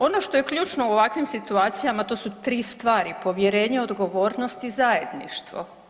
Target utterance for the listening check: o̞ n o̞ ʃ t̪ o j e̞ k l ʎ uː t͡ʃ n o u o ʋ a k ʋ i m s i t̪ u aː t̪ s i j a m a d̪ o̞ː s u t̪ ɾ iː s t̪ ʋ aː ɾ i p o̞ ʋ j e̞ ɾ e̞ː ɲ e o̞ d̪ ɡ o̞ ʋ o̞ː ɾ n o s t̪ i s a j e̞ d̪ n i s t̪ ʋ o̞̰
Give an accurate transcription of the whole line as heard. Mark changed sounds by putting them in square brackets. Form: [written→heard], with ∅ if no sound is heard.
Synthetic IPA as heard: o̞ n o̞ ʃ t̪ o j e̞ k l ʎ uː t͡ʃ n o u o ʋ a k ʋ i m s i t̪ u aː t̪ s i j a m a [d̪→t̪] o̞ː s u t̪ ɾ iː s t̪ ʋ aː ɾ i p o̞ ʋ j e̞ ɾ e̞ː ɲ e o̞ d̪ ɡ o̞ ʋ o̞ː ɾ n o s t̪ i [s→z] a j e̞ d̪ n i [s→ʃ] t̪ ʋ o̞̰